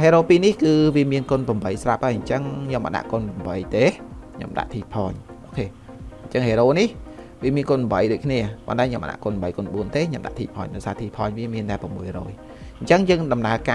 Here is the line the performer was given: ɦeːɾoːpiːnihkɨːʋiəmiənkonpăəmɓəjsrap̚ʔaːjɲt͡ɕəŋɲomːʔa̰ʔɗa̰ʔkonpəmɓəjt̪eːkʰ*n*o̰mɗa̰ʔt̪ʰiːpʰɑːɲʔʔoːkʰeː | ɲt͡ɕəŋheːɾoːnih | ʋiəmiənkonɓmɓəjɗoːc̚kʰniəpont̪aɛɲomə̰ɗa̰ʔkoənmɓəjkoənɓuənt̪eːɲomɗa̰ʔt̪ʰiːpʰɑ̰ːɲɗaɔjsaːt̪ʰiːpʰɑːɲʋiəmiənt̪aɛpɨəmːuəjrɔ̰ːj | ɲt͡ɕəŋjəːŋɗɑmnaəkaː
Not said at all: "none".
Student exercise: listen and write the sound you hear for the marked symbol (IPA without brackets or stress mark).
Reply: ɲ